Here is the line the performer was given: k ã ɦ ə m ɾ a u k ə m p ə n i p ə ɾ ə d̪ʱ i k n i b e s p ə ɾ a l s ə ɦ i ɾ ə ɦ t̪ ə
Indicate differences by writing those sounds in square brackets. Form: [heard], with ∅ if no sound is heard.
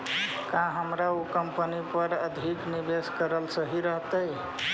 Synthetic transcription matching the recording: k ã ɦ ə m ɾ a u k ə m p ə n i p ə ɾ ə d̪ʱ i k n i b e s [k] ə ɾ [ə] l s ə ɦ i ɾ ə ɦ t̪ ə